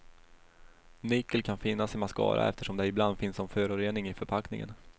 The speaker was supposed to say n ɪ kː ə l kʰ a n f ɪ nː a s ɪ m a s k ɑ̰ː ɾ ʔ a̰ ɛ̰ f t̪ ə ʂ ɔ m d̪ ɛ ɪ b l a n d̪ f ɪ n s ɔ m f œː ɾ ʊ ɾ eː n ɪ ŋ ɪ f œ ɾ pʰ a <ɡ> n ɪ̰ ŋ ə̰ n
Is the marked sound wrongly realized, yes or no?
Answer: yes